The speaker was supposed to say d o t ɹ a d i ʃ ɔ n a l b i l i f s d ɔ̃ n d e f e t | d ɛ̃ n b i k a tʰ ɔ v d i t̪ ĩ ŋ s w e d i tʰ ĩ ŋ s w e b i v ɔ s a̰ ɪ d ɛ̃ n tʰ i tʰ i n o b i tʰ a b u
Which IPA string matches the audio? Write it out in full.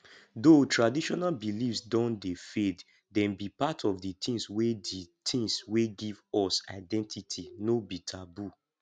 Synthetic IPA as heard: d o t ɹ a d i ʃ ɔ n a l b i l i f s d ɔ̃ n d e f e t | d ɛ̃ n b i p a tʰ ɔ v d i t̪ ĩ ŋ s w e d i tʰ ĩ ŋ s w e ɡ i v ɔ s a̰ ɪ d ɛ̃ n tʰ i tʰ i n o b i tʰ a b u